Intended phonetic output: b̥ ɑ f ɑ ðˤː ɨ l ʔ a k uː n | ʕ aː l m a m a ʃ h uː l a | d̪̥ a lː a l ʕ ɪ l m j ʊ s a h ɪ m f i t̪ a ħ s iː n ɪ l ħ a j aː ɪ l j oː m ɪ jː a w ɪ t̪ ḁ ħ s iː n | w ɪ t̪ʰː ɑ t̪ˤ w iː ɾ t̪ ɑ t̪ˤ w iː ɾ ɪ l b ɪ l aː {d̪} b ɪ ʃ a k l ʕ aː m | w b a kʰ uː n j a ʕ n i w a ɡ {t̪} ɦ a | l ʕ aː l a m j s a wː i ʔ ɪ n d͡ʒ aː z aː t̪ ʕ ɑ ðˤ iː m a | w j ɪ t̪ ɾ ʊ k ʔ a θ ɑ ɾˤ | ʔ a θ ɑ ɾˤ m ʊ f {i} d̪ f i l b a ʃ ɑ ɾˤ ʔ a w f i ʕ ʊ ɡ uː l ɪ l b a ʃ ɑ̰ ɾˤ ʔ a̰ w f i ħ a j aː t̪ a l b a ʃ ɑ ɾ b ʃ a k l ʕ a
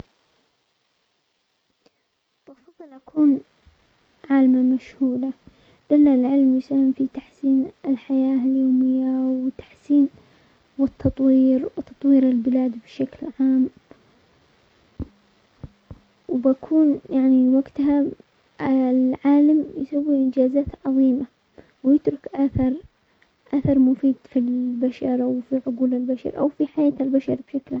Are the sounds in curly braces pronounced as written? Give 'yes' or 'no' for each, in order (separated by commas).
yes, yes, no